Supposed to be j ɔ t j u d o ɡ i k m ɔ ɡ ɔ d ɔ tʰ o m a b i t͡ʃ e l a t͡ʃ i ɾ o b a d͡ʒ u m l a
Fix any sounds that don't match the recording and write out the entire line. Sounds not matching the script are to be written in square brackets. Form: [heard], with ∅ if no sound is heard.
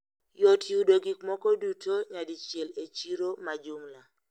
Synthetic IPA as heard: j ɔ t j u d o ɡ i k m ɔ [k] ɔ d [u] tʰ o [ɲ] a [d] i t͡ʃ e l [e] t͡ʃ i ɾ o [m] a d͡ʒ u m l a